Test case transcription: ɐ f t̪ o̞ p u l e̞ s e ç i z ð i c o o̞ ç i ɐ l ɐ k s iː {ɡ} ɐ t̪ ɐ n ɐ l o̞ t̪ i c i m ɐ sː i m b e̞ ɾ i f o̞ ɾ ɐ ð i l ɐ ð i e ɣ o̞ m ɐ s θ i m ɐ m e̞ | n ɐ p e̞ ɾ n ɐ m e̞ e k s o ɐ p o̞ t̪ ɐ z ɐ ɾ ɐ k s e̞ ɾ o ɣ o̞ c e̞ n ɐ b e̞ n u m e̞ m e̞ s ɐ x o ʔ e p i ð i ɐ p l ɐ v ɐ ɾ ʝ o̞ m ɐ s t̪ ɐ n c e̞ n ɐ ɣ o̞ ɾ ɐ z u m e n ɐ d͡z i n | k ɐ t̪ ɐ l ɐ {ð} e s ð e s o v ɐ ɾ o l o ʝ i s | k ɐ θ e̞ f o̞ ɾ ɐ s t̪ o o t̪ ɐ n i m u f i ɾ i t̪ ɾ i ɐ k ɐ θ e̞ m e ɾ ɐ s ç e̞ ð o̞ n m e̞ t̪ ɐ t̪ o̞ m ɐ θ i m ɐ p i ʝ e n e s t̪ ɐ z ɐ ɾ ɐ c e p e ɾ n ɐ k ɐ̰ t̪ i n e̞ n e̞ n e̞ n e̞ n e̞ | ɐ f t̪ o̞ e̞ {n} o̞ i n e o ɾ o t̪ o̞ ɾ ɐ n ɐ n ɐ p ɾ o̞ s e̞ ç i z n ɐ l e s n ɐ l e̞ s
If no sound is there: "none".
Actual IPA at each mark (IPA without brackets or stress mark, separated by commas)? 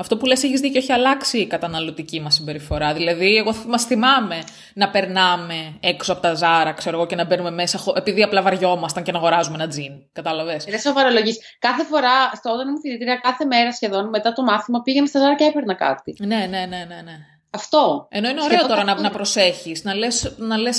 k, v, n